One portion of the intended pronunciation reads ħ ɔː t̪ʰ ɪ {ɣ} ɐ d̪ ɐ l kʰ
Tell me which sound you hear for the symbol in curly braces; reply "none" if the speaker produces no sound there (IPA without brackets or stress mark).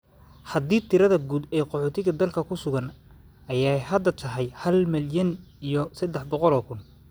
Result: ɣ